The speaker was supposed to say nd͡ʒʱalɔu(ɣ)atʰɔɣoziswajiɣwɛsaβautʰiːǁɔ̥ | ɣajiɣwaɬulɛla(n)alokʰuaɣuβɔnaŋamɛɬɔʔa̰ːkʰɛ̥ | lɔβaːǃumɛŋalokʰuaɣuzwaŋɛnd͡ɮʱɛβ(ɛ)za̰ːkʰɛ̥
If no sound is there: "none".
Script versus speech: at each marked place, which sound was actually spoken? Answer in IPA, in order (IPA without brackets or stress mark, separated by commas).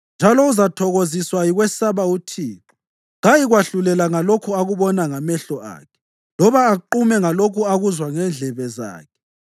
z, ŋ, ɛ